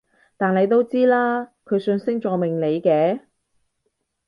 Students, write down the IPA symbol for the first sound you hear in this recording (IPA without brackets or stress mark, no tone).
t̪